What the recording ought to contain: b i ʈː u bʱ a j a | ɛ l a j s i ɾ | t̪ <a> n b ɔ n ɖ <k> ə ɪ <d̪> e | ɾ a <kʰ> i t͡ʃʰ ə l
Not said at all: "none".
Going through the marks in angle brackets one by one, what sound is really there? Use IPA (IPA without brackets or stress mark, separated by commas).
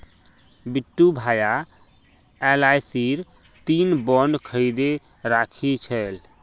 i, kʰ, d̪, kʰ